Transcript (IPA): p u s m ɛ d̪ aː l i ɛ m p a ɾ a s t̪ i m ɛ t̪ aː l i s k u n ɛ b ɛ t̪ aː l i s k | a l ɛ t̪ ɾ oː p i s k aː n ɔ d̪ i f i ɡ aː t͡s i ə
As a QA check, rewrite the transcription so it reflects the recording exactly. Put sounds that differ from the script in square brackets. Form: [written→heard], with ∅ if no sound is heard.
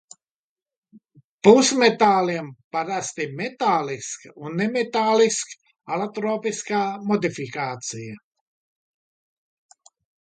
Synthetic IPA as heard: p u s m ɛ [d̪→t̪] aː l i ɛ m p a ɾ a s t̪ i m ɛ t̪ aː l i s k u n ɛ [b→m] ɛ t̪ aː l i s k | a l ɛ t̪ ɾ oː p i s k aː [n→m] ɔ d̪ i f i [ɡ→k] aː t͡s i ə